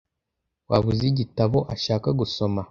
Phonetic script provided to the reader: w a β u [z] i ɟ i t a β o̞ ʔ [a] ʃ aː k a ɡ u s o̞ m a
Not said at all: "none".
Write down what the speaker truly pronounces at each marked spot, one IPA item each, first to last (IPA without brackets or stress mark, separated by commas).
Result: z, a